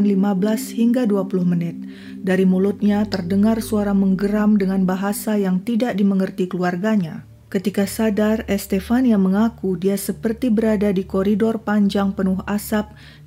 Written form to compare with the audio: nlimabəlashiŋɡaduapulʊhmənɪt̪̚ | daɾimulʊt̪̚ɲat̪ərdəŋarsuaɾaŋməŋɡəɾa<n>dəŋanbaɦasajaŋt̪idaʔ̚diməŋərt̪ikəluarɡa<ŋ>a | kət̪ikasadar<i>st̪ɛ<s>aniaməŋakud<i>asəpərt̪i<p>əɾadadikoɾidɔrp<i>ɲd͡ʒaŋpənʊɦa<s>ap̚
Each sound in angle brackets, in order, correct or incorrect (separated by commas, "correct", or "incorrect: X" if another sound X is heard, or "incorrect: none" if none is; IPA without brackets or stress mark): incorrect: m, incorrect: ɲ, incorrect: ɛ, incorrect: f, correct, incorrect: b, incorrect: a, correct